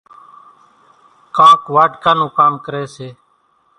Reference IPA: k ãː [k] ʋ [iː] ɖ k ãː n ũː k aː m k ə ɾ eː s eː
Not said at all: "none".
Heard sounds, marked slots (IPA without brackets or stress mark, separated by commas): k, aː